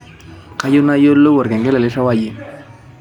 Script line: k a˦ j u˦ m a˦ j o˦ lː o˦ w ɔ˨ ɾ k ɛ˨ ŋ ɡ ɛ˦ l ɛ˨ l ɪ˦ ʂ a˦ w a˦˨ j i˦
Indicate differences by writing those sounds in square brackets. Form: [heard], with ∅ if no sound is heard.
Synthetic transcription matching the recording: k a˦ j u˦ [n] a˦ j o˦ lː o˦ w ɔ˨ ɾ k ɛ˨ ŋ ɡ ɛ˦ l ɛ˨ l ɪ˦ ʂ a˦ w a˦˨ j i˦